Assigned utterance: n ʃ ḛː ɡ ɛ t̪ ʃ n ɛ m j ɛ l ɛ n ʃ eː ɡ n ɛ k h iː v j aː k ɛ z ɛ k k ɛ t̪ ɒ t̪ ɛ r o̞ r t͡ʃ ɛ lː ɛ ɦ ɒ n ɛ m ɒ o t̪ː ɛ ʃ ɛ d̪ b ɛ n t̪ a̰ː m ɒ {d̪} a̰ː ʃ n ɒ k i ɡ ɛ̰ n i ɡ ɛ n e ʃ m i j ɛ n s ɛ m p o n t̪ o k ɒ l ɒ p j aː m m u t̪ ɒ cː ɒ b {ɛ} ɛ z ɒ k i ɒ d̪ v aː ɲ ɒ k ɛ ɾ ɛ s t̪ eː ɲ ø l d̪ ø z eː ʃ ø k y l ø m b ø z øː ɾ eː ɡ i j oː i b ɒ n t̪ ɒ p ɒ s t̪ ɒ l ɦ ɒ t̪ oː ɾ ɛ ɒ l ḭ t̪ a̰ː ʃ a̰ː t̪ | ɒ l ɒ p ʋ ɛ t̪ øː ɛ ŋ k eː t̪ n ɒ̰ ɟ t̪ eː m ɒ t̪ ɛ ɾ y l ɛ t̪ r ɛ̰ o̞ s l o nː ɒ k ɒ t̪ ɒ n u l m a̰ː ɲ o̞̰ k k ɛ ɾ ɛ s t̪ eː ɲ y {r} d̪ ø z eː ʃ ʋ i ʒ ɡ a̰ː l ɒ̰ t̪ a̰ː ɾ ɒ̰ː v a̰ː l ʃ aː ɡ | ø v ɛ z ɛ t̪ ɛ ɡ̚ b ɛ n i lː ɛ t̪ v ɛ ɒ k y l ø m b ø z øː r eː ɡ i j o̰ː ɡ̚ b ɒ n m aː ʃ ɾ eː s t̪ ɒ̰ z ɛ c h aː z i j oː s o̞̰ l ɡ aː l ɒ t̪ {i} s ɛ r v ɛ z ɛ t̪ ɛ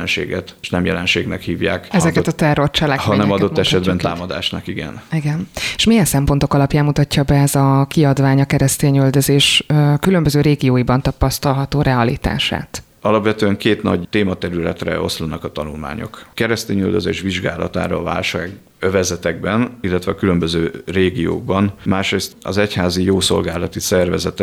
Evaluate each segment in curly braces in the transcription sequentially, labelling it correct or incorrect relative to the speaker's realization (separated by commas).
correct, correct, incorrect, correct